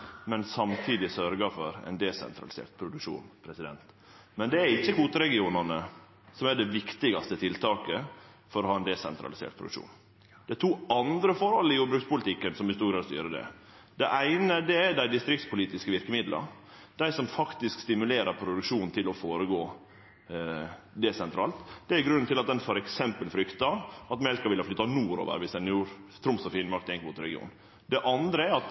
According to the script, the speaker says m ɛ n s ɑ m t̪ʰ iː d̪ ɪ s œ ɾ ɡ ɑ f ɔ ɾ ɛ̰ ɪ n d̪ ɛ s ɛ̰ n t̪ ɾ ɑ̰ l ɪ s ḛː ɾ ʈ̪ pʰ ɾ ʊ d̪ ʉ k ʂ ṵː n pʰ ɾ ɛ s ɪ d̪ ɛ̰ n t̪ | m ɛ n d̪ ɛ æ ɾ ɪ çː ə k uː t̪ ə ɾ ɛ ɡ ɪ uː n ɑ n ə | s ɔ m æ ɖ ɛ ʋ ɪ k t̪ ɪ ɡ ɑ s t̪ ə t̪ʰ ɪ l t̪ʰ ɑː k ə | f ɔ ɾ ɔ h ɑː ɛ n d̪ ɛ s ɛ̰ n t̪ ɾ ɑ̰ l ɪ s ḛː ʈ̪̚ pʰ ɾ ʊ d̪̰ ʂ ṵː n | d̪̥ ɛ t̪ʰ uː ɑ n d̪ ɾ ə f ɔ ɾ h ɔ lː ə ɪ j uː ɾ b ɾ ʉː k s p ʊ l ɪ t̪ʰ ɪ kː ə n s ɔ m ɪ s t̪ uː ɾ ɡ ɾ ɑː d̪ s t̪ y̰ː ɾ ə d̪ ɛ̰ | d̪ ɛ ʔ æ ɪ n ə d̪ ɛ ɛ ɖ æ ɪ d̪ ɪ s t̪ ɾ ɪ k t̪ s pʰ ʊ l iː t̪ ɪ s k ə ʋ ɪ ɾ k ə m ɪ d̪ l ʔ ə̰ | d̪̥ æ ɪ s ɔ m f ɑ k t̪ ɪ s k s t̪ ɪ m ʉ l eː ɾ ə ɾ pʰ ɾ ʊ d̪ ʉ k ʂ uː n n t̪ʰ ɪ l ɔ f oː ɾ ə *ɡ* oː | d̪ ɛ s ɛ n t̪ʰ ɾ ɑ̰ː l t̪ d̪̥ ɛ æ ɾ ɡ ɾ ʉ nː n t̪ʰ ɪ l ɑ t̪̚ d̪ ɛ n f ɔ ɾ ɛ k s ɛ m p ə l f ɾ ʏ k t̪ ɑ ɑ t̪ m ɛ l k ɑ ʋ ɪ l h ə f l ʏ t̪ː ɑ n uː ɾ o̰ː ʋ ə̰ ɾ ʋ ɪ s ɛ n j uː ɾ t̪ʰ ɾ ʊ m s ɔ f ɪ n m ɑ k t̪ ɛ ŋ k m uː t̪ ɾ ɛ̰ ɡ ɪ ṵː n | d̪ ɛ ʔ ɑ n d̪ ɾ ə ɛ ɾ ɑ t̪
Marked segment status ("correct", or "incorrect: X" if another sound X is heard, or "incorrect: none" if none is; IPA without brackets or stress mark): correct